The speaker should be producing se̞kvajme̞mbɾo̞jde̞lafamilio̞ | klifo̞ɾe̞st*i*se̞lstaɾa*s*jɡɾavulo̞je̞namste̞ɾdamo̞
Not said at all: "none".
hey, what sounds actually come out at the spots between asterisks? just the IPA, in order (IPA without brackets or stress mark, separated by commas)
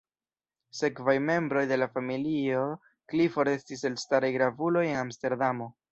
i, none